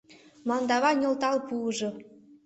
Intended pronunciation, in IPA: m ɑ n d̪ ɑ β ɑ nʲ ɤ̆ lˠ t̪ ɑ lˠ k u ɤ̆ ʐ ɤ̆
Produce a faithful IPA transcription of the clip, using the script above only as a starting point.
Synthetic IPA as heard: m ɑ n d̪ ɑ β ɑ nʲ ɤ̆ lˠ t̪ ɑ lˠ p u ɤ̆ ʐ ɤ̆